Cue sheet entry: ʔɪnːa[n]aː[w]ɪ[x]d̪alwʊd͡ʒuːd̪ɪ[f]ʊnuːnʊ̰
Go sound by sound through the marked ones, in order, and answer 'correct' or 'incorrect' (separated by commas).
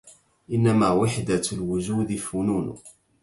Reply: incorrect, correct, incorrect, correct